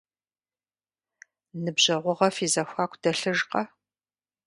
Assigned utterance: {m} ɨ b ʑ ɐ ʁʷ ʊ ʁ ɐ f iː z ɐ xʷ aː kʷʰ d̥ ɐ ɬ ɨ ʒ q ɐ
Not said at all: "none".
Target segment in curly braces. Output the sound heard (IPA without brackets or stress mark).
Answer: n